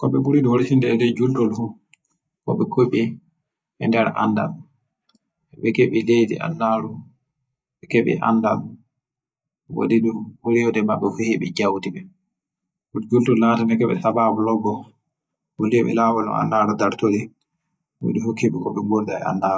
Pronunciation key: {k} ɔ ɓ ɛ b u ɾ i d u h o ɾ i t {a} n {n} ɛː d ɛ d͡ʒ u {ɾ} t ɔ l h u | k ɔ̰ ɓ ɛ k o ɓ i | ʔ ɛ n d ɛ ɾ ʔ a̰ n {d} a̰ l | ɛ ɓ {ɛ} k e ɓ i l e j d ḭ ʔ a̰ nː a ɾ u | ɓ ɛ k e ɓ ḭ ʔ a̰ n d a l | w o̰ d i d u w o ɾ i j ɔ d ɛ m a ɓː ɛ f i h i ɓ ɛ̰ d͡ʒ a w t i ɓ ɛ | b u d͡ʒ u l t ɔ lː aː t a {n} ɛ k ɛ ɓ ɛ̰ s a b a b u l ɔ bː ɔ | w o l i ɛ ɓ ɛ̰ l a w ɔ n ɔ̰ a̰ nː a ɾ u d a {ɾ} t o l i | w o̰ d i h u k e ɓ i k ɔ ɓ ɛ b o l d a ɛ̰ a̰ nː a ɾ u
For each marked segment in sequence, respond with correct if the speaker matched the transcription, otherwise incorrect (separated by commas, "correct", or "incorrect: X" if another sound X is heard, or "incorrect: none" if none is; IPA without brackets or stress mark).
correct, incorrect: i, incorrect: d, incorrect: l, correct, correct, correct, correct